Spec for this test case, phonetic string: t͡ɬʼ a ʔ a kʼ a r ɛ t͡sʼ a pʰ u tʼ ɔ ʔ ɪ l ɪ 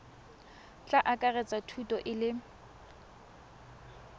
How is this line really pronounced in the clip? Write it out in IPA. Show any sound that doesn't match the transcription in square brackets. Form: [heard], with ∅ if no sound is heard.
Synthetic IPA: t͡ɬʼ a ʔ a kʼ a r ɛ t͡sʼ a [tʰ] u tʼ ɔ ʔ ɪ l ɪ

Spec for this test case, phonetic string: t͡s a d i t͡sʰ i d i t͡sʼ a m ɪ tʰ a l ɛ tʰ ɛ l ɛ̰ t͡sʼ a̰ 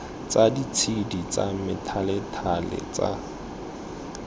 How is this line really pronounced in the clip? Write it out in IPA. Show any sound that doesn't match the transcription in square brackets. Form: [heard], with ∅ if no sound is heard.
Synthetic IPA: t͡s a d i t͡sʰ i d i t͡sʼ a m ɪ tʰ a l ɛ tʰ [a] l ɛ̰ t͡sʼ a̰

